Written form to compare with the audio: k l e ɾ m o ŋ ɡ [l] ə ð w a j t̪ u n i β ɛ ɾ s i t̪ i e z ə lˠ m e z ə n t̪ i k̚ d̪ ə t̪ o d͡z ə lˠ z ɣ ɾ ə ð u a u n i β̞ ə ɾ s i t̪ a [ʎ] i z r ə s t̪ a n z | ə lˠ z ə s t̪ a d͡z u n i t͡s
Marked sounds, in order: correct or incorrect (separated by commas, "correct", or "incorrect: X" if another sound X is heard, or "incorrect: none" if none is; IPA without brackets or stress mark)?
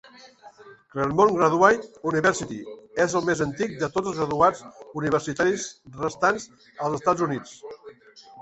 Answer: incorrect: ɾ, incorrect: ɾ